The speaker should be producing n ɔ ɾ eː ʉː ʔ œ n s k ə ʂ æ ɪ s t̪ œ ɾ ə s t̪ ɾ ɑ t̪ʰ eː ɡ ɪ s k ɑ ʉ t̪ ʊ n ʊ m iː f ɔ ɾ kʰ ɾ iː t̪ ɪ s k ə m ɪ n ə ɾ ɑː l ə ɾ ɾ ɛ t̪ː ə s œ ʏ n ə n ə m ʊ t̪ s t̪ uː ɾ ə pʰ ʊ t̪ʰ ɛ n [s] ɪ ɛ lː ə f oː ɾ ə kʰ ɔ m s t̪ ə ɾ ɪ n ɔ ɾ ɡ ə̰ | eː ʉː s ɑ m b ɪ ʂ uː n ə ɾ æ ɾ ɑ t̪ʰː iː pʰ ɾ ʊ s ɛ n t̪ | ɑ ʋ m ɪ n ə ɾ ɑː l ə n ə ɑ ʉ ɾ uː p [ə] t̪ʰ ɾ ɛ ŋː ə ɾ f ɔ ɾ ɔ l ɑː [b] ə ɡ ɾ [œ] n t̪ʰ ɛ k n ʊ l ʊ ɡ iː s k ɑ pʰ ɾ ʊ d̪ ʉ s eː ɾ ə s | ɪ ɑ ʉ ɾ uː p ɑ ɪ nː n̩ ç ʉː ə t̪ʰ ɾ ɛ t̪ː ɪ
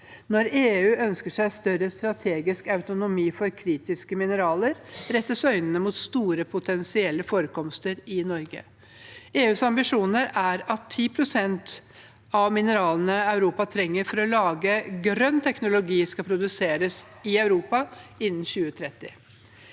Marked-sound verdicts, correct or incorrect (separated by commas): correct, incorrect, incorrect, correct